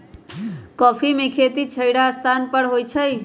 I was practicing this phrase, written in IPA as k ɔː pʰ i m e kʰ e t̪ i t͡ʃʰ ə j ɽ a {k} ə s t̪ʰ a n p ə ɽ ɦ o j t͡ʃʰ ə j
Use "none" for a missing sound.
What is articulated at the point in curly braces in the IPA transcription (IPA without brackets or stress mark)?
none